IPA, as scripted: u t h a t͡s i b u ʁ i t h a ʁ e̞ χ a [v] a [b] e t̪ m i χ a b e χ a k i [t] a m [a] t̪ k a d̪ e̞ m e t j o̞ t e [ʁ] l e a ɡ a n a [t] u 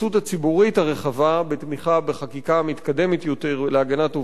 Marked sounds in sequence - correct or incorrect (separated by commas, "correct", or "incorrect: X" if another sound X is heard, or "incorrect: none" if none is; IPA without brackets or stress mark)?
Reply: correct, correct, incorrect: k, incorrect: i, correct, correct